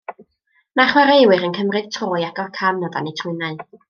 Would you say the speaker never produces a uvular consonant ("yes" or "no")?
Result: no